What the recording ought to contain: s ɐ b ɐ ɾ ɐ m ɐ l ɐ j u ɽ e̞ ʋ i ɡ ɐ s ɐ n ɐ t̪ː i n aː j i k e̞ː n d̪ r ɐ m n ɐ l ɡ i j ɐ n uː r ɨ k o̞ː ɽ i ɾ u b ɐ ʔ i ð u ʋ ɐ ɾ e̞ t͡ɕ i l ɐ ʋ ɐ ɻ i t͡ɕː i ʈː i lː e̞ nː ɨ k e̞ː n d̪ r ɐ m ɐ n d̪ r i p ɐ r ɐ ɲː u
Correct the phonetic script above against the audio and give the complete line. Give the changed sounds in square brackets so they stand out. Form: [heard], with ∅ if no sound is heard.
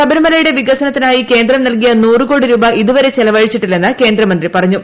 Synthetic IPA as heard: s ɐ b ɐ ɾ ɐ m ɐ l ɐ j u ɽ e̞ ʋ i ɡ ɐ s ɐ n ɐ t̪ː i n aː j i k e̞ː n d̪ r ɐ m n ɐ l [k] i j ɐ n uː r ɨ k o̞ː ɽ i ɾ [uː] b ɐ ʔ i ð u ʋ ɐ ɾ e̞ t͡ɕ [e] l ɐ ʋ ɐ ɻ i t͡ɕː i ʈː i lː e̞ nː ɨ k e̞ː n d̪ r ɐ m ɐ n d̪ r i p ɐ r ɐ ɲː u